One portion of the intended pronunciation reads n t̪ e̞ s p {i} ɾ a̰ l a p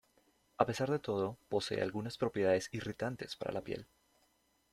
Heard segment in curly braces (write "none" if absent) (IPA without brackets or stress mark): a